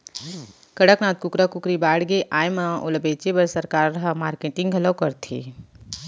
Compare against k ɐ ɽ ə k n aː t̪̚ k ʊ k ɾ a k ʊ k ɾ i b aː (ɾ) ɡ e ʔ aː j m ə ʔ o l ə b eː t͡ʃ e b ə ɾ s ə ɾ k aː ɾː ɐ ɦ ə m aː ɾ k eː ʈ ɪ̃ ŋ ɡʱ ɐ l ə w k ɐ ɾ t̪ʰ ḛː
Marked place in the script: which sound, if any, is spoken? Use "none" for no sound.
ɽ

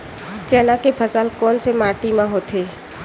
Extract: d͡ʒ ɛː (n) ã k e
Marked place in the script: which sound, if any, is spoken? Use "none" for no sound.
n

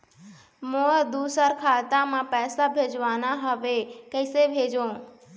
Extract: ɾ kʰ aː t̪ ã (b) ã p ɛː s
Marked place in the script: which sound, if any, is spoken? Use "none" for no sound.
m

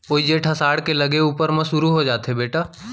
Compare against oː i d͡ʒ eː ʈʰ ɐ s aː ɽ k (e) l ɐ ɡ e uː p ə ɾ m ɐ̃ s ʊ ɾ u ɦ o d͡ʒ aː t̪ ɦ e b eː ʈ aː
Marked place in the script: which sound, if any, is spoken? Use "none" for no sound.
e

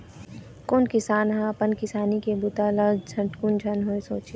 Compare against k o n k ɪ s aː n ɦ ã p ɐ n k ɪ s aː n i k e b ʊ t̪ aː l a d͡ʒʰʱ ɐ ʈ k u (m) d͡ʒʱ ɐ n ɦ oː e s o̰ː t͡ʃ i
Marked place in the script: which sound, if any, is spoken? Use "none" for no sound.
n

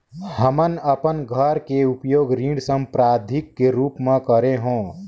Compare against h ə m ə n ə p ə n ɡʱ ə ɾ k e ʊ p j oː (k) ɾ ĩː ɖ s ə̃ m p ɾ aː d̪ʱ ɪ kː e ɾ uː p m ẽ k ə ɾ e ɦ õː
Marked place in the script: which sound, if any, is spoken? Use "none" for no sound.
ɡ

